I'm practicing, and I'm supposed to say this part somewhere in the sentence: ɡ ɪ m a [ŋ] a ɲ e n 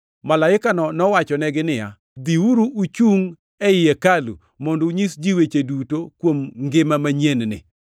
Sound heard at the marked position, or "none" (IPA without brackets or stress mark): m